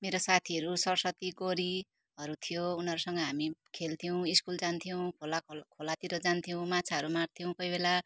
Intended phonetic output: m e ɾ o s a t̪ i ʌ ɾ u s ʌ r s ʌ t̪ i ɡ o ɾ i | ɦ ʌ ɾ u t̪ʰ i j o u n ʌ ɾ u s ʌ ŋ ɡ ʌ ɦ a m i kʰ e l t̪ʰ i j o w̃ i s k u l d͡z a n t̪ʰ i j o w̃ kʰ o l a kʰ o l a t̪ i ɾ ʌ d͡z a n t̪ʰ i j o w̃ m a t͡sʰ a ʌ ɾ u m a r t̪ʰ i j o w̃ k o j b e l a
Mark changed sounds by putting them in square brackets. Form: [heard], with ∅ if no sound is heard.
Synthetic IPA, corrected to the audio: m e ɾ o s a [t̪ʰ] i ʌ ɾ u s ʌ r s ʌ t̪ i ɡ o ɾ i | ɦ ʌ ɾ u t̪ʰ i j o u n ʌ ɾ u s ʌ ŋ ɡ ʌ ɦ a m i kʰ e l t̪ʰ i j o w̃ i s k u l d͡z a n t̪ʰ i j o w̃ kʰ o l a kʰ o l a t̪ i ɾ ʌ d͡z a n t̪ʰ i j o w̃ m a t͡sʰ a ʌ ɾ u m a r t̪ʰ i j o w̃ k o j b e l a